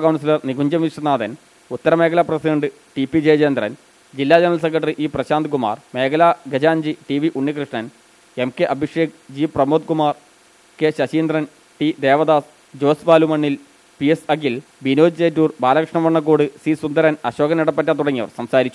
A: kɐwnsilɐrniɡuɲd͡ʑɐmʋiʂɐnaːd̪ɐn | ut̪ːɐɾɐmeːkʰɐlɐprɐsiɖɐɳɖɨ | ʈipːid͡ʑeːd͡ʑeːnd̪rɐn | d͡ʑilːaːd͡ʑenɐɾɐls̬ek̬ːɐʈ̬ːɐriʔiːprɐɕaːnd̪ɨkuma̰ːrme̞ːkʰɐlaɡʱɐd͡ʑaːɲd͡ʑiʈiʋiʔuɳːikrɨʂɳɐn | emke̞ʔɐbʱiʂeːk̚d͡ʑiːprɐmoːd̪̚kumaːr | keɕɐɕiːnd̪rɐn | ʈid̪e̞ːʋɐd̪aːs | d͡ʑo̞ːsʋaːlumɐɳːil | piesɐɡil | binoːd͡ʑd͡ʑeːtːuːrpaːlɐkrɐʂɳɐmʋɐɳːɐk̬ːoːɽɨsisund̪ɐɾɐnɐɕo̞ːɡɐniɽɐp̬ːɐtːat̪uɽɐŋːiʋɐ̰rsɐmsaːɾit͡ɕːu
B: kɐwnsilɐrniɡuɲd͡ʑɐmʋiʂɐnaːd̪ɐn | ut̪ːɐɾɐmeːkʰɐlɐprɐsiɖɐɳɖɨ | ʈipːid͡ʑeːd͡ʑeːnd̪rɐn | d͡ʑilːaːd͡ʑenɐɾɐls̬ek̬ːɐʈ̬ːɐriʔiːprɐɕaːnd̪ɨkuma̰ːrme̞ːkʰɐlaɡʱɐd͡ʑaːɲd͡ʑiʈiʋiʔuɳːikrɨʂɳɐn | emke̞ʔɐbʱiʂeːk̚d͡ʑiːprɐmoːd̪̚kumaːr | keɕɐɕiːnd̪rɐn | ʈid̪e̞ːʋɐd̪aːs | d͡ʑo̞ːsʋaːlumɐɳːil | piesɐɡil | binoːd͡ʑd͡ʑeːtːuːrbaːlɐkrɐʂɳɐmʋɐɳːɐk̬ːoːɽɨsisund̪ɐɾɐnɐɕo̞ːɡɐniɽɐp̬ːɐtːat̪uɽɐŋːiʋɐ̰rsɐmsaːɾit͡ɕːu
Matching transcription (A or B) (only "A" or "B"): B